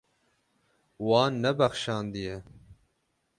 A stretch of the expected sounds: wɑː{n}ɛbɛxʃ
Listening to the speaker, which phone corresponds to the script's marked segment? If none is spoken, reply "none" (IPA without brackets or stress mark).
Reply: nː